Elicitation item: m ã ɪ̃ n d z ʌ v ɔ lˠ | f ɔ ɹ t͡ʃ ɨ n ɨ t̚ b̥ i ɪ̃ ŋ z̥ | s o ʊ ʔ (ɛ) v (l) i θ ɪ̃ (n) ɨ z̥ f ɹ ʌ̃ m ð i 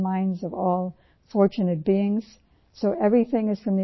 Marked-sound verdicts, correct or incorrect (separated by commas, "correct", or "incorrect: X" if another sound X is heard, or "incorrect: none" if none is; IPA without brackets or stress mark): correct, incorrect: ɹ, incorrect: ŋ